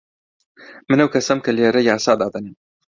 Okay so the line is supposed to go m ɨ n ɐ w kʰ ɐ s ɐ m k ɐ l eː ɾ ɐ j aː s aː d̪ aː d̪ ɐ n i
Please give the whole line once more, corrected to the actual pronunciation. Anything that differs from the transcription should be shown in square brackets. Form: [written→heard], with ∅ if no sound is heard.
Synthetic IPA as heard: m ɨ n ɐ w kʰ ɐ s ɐ m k ɐ l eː ɾ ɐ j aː s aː d̪ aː d̪ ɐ n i